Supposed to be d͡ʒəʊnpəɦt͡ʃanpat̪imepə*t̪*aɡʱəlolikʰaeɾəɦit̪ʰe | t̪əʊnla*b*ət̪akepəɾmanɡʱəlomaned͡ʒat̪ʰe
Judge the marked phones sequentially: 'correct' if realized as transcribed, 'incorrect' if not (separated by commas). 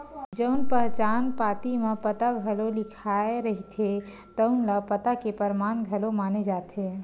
correct, incorrect